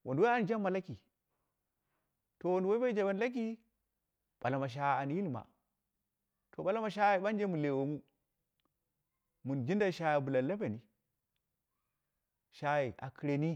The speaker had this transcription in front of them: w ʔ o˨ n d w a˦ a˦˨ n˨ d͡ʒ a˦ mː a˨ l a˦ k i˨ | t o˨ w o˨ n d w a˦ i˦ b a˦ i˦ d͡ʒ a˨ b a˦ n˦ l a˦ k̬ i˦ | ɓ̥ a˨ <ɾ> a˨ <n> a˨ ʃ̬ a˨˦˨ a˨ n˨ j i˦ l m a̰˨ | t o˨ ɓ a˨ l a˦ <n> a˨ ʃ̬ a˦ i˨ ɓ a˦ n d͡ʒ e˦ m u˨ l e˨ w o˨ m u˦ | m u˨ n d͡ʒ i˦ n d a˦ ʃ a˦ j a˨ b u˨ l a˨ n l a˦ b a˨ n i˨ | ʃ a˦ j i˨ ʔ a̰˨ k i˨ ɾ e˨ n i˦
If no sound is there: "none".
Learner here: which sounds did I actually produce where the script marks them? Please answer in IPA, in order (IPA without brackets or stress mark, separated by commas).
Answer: l, m, m